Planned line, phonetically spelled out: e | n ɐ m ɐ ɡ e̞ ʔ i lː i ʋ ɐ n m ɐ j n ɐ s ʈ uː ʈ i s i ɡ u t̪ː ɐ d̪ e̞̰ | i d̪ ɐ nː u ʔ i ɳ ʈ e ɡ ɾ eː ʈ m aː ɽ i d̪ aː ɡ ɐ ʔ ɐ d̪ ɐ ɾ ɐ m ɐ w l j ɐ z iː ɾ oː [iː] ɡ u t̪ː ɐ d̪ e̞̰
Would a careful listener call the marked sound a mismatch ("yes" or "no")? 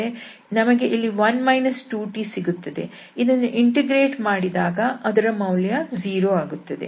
yes